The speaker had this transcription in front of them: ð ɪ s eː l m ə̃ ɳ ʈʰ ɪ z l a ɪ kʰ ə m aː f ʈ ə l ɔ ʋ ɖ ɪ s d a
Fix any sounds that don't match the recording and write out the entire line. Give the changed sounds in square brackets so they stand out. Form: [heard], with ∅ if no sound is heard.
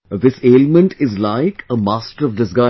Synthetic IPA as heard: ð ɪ s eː l m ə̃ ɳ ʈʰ ɪ z l a ɪ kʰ ə m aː [s] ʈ ə [ɾ] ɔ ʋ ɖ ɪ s [ɡ] a